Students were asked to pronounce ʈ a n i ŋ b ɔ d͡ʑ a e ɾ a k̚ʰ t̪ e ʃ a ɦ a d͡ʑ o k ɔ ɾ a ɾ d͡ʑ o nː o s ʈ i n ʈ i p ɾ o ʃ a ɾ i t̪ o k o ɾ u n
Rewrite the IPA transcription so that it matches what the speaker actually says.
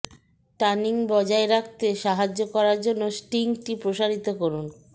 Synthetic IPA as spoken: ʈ a n i ŋ b ɔ d͡ʑ a e ɾ a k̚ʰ t̪ e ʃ a ɦ a d͡ʑ o k ɔ ɾ a ɾ d͡ʑ o nː o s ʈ i ŋ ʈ i p ɾ o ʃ a ɾ i t̪ o k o ɾ u n

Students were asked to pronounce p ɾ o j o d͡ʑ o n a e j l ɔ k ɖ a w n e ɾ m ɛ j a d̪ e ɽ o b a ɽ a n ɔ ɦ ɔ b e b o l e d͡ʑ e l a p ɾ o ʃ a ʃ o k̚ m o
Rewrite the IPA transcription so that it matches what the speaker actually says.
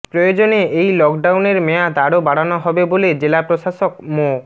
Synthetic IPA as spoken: p ɾ o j o d͡ʑ o n e e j l ɔ k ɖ a w n e ɾ m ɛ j a d̪ a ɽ o b a ɽ a n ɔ ɦ ɔ b e b o l e d͡ʑ e l a p ɾ o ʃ a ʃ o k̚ m o

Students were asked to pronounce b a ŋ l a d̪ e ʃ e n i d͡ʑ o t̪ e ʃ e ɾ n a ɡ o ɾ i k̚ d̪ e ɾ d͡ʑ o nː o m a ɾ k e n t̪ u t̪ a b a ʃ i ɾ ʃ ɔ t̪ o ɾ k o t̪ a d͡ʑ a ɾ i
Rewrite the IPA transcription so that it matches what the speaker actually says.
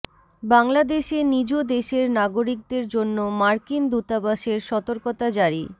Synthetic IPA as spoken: b a ŋ l a d̪ e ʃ e n i d͡ʑ o d̪ e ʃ e ɾ n a ɡ o ɾ i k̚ d̪ e ɾ d͡ʑ o nː o m a ɾ k i n d̪ u t̪ a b a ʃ e ɾ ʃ ɔ t̪ o ɾ k o t̪ a d͡ʑ a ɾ i

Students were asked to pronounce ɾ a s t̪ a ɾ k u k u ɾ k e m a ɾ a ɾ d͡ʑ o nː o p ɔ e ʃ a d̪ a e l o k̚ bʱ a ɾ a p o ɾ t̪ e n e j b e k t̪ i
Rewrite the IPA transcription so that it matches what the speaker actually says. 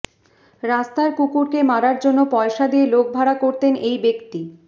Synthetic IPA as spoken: ɾ a s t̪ a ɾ k u k u ɾ k e m a ɾ a ɾ d͡ʑ o nː o p ɔ e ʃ a d̪ i e l o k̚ bʱ a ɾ a k o ɾ t̪ e n e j b e k t̪ i

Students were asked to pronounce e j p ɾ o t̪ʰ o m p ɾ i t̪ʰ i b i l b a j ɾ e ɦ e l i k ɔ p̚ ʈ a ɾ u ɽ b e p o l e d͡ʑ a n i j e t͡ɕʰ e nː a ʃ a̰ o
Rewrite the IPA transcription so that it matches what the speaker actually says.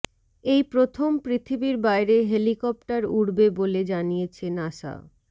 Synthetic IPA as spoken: e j p ɾ o t̪ʰ o m p ɾ i t̪ʰ i b i ɾ b a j ɾ e ɦ e l i k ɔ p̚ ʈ a ɾ u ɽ b e b o l e d͡ʑ a n i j e t͡ɕʰ e n a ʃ a̰ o

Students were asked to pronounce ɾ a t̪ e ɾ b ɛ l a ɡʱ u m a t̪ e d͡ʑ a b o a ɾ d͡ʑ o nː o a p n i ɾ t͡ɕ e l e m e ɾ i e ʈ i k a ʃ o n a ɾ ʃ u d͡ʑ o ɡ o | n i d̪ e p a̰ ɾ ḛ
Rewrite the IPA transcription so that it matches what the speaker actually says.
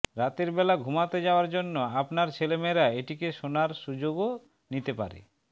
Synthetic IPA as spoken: ɾ a t̪ e ɾ b ɛ l a ɡʱ u m a t̪ e d͡ʑ a o a ɾ d͡ʑ o nː o a p n a ɾ t͡ɕʰ e l e m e ɾ a e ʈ i k e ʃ o n a ɾ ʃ u d͡ʑ o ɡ o | n i t̪ e p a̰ ɾ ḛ

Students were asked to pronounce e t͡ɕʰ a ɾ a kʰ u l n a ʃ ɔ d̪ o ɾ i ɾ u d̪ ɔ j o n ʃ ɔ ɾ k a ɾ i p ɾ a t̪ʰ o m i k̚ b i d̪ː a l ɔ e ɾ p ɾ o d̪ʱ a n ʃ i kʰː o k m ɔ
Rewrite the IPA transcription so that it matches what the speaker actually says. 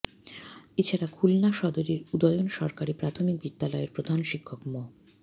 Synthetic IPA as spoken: e t͡ɕʰ a ɾ a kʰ u l n a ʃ ɔ d̪ o ɾ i ɾ u d̪ ɔ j o n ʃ ɔ ɾ k a ɾ i p ɾ a t̪ʰ o m i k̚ b i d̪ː a l ɔ e ɾ p ɾ o d̪ʱ a n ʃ i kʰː o k m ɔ

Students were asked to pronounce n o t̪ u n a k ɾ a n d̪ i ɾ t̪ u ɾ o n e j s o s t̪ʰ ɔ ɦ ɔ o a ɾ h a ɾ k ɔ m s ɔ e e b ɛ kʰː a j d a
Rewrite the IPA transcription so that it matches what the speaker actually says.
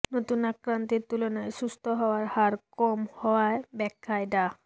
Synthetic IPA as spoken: n o t̪ u n a k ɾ a n t̪ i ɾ t̪ u l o n a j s u s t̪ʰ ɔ ɦ ɔ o a ɾ h a ɾ k ɔ m h ɔ a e b ɛ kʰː a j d a

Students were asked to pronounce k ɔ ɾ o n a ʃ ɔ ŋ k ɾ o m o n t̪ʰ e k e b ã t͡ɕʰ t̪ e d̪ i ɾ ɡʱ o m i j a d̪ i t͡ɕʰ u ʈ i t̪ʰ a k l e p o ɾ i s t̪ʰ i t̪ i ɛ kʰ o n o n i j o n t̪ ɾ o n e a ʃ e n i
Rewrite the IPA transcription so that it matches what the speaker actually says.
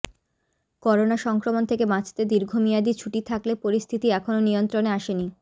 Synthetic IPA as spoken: k ɔ ɾ o n a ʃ ɔ ŋ k ɾ o m o n t̪ʰ e k e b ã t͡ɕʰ t̪ e d̪ i ɾ ɡʱ o m i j a d̪ i t͡ɕʰ u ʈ i t̪ʰ a k l e p o ɾ i s t̪ʰ i t̪ i ɛ kʰ o n o n i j o n t̪ ɾ o n e a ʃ e n i

